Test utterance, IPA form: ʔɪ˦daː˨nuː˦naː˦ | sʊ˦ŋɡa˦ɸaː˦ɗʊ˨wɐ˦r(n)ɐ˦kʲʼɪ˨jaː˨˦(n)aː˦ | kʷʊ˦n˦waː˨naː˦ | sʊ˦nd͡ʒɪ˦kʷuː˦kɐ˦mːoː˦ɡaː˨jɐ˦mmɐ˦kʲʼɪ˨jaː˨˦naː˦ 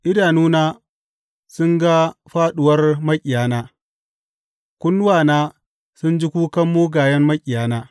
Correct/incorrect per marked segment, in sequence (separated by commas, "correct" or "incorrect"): incorrect, correct